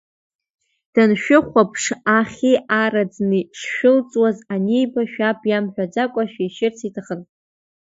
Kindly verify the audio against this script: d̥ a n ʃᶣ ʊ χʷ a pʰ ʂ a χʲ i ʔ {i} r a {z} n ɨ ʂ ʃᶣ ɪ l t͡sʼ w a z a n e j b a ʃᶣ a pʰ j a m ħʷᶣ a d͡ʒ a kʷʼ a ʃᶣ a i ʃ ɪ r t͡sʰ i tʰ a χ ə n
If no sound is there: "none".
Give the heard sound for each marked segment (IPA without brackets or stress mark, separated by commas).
a, d͡z